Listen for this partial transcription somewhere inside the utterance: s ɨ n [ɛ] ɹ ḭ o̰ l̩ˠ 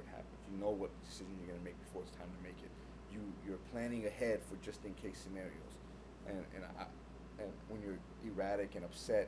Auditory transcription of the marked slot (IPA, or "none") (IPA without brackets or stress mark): ɛ